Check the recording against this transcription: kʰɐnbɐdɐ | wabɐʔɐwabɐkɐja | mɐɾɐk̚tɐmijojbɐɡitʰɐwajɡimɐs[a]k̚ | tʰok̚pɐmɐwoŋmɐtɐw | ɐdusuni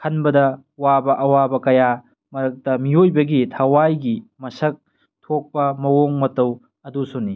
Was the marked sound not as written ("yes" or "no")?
yes